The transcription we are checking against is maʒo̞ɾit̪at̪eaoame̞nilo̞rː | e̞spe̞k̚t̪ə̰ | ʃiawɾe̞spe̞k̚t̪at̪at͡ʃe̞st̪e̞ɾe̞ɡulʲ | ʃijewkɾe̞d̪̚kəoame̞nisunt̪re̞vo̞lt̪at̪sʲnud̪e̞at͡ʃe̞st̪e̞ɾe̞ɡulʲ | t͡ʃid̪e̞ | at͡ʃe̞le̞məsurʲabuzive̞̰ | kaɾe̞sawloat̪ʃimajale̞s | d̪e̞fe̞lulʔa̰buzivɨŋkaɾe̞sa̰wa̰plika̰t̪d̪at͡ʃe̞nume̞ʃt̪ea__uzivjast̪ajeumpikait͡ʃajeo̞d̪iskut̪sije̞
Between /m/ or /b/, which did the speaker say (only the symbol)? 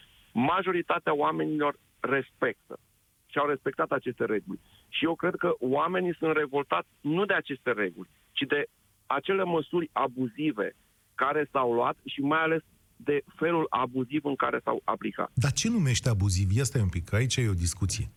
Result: b